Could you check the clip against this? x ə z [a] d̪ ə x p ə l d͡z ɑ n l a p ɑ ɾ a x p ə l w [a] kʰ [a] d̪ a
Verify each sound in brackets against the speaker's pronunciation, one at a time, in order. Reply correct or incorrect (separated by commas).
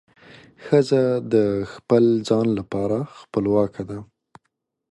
correct, incorrect, correct